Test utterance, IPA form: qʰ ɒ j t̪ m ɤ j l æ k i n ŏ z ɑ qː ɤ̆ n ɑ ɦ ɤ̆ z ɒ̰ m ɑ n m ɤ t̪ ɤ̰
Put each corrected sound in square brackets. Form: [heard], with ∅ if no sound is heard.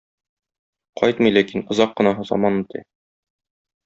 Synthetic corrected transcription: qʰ ɒ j t̪ m ɤ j l æ k i n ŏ z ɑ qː ɤ̆ n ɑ ɦ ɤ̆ z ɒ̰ m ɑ n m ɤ t̪ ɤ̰